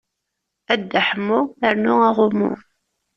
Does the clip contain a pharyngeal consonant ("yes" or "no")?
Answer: yes